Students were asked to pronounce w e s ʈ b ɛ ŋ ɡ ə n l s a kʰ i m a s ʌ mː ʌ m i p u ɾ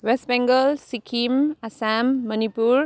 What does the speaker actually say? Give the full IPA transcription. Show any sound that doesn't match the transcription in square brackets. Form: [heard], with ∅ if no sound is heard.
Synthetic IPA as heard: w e s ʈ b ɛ ŋ ɡ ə [∅] l s [i] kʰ i m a s [a] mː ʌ [n] i p u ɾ